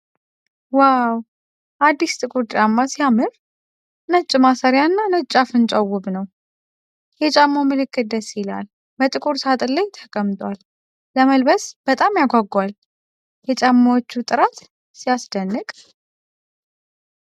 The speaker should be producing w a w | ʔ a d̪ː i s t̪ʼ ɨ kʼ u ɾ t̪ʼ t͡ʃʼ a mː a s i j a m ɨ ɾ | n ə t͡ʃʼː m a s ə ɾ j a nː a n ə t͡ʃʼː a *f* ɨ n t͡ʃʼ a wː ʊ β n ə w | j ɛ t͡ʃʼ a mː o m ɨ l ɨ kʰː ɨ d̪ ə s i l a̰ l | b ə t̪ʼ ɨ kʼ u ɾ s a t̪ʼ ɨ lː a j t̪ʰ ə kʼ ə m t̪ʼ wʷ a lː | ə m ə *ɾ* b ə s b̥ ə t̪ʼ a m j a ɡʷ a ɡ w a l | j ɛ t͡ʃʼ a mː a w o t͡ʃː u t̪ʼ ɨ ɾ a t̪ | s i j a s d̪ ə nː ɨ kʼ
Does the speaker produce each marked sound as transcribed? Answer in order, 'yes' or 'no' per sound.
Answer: yes, no

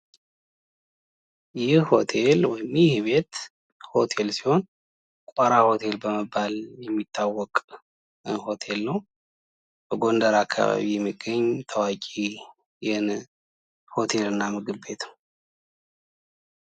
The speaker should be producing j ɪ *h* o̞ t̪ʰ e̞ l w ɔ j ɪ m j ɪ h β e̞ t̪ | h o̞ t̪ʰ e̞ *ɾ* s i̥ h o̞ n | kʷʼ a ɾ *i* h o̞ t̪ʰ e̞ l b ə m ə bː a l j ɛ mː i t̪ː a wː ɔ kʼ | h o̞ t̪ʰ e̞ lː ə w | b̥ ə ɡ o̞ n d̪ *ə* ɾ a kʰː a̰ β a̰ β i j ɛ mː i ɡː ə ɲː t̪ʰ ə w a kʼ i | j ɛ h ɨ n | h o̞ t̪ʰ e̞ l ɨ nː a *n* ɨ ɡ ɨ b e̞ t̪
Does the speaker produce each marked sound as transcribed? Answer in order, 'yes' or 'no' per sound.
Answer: yes, no, no, yes, no

